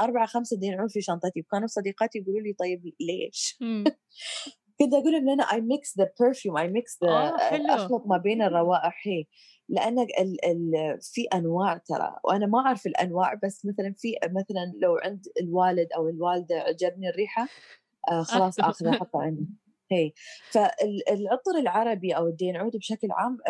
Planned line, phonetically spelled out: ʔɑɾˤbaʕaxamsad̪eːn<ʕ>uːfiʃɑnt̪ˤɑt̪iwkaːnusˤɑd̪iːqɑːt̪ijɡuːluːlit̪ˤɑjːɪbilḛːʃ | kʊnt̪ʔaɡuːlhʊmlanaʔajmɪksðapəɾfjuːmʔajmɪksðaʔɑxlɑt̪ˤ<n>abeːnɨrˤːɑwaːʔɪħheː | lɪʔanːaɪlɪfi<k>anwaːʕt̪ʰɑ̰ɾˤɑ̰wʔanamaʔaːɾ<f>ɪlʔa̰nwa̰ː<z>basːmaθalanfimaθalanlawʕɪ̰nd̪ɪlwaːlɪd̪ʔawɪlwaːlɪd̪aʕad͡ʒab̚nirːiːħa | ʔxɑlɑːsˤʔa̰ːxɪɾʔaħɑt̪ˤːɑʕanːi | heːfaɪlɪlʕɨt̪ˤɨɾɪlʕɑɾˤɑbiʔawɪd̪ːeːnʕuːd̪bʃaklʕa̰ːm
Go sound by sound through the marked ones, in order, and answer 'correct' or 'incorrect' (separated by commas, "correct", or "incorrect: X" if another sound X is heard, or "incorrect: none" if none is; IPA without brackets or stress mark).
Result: correct, incorrect: m, incorrect: ʔ, correct, incorrect: ʕ